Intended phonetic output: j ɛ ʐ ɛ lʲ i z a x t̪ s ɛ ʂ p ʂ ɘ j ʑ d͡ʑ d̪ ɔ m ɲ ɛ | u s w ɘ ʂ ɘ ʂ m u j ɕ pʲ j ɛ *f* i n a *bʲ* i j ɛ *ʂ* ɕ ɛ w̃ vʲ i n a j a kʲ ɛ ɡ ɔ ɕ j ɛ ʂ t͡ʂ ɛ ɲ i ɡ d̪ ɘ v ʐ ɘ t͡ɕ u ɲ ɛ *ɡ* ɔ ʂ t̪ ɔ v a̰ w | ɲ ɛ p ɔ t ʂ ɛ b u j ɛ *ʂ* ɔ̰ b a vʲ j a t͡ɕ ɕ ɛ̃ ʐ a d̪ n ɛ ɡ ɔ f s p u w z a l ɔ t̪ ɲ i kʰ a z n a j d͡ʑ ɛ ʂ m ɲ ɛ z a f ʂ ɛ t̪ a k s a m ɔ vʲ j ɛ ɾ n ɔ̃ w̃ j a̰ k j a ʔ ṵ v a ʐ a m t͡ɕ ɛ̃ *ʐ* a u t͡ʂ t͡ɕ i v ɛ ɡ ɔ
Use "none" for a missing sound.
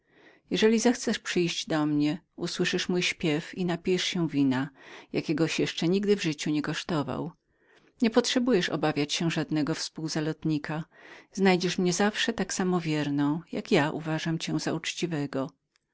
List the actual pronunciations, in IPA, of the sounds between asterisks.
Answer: f, pʲ, ʂ, k, ʂ, z

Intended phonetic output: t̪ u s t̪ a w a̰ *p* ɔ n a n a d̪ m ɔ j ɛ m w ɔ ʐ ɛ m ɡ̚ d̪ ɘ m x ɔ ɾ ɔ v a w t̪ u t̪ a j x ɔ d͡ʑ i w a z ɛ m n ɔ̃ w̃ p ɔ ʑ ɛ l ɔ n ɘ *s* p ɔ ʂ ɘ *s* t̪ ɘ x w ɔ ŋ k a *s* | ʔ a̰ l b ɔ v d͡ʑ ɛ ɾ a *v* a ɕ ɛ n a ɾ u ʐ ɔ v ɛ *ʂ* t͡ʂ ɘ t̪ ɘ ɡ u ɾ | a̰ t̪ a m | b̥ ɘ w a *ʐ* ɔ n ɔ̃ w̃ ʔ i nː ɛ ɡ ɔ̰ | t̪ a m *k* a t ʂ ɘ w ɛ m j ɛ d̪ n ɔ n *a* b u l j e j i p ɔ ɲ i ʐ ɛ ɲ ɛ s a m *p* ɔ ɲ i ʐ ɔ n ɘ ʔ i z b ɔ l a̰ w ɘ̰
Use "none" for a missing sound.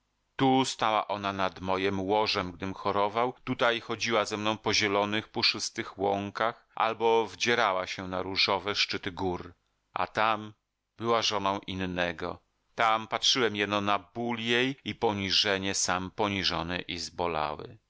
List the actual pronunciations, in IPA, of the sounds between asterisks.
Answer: ʔ, x, s, x, w, ʂ, ʐ, p, a, p

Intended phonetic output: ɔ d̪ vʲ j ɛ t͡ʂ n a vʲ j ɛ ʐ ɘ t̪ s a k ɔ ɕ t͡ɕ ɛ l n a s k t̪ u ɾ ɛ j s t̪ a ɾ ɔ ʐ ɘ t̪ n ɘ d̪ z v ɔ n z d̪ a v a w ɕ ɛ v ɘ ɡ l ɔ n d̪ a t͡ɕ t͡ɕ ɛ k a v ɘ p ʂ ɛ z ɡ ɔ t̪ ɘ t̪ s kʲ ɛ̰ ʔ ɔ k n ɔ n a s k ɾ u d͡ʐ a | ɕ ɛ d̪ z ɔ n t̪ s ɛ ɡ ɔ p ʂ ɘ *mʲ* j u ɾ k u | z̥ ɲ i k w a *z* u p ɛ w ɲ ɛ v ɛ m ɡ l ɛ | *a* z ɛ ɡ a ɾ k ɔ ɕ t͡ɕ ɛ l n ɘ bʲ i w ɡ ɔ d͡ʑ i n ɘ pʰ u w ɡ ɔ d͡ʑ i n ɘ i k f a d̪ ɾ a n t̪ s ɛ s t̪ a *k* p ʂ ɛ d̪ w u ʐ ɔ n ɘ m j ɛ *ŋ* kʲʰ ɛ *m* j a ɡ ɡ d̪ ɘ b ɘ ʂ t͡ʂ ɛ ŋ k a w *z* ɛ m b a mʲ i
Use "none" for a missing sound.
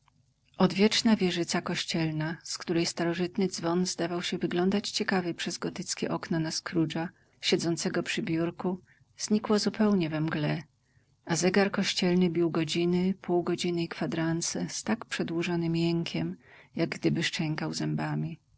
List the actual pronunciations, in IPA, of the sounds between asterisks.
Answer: bʲ, z, a, k, ŋ, m, z

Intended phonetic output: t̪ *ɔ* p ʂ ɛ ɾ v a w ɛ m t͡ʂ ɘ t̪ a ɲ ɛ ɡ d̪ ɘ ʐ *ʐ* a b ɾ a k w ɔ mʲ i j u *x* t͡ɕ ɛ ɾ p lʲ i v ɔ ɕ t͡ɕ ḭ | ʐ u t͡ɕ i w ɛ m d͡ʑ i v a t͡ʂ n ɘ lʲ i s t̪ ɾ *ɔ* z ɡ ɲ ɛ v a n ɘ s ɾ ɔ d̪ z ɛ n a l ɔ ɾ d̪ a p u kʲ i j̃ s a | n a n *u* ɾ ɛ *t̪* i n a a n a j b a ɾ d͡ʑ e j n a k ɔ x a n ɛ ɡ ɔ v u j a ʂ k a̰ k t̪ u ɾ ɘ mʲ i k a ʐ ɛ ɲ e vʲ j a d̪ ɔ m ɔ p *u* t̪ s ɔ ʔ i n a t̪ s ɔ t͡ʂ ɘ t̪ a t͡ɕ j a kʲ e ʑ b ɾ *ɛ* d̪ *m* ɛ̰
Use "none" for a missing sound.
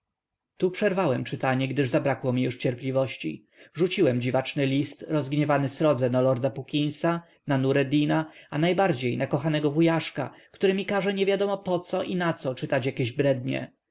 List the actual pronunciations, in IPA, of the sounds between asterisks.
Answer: u, z, ʂ, ɔ, u, d̪, ɔ, ɛ, ɲ

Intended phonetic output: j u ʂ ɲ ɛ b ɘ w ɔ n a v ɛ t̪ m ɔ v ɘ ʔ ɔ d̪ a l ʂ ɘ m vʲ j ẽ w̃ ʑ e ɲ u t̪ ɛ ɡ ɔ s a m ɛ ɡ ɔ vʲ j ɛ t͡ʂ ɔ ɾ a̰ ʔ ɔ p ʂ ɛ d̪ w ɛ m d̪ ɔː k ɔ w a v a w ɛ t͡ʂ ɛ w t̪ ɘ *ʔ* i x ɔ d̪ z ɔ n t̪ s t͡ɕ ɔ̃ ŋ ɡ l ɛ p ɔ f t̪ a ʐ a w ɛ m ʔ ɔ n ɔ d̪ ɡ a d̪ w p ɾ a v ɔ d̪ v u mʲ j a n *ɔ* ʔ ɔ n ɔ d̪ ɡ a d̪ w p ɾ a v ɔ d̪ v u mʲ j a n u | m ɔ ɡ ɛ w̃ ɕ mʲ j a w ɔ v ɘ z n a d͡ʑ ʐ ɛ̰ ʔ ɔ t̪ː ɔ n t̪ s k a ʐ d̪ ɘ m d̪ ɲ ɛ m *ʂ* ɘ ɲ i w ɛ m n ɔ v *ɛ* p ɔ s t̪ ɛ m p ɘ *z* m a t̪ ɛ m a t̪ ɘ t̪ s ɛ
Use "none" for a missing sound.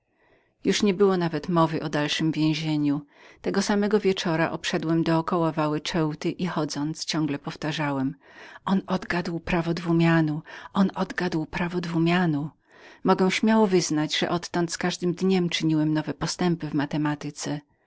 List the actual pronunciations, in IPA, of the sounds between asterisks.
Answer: ʔ, u, t͡ʂ, ɛ, v

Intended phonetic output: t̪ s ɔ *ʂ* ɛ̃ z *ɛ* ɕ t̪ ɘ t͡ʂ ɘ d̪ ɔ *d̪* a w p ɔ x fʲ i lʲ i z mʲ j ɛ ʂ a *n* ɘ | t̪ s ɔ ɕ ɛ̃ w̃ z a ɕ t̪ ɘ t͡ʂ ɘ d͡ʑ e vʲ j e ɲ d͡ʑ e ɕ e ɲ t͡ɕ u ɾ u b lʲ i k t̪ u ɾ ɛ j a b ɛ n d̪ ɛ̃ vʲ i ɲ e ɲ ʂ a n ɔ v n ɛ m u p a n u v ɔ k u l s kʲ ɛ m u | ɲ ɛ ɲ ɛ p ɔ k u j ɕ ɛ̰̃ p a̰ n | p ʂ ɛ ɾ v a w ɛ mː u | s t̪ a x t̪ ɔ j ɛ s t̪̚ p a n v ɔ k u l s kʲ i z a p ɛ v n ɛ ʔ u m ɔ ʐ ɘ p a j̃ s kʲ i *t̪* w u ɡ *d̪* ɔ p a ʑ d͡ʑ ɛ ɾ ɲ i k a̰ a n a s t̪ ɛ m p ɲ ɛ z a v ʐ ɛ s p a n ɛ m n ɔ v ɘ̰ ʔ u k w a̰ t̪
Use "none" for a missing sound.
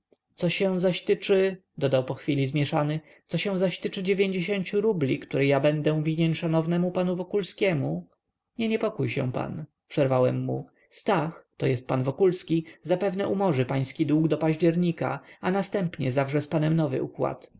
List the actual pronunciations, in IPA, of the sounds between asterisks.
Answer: ɕ, a, d̪, n, d̪, d̪

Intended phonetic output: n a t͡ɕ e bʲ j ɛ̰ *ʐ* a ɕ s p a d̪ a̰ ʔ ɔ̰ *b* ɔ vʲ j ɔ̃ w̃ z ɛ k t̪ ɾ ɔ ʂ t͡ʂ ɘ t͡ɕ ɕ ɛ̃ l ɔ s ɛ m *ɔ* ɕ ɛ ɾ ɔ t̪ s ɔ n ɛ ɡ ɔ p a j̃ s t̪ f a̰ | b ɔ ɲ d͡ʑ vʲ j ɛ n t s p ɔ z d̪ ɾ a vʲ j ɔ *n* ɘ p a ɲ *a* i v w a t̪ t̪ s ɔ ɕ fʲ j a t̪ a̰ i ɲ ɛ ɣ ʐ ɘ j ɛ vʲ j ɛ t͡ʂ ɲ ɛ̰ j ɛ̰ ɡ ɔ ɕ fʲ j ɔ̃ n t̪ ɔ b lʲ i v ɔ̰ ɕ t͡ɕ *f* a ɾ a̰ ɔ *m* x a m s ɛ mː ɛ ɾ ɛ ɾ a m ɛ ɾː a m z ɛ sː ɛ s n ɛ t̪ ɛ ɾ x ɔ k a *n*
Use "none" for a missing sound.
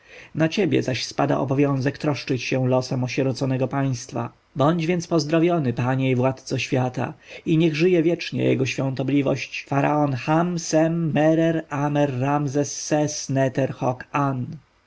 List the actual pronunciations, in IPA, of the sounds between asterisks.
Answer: z, b, ɔ, n, ɛ, f, n, n

